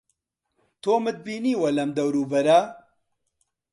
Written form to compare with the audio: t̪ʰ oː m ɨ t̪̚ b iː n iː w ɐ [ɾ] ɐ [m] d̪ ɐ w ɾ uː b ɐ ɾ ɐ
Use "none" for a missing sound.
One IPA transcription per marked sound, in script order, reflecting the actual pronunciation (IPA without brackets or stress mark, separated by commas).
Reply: l, m